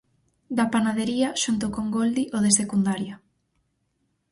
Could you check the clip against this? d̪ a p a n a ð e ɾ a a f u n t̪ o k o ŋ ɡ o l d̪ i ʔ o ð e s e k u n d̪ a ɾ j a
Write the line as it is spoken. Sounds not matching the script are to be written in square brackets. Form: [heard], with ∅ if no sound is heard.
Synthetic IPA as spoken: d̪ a p a n a ð e ɾ [i] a [ʃ] u n t̪ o k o ŋ ɡ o l d̪ i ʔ o ð e s e k u n d̪ a ɾ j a